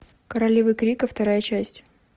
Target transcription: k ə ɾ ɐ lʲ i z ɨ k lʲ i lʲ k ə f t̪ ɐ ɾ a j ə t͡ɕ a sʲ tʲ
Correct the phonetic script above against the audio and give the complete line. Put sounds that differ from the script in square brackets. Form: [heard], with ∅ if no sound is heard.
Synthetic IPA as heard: k ə ɾ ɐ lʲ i [v] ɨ k [ɾʲ] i [∅] k ə f t̪ ɐ ɾ a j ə t͡ɕ [æ] sʲ tʲ